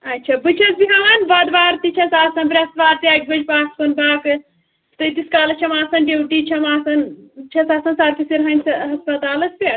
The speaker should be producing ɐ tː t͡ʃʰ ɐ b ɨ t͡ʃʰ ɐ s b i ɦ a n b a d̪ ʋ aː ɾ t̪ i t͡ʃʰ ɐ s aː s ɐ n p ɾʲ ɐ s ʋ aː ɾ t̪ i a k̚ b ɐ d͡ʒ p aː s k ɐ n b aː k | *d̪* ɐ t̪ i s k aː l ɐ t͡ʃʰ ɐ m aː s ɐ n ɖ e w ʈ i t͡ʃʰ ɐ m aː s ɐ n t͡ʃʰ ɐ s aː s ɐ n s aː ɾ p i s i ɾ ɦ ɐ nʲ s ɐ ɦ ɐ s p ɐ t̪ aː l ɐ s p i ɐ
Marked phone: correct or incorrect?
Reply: incorrect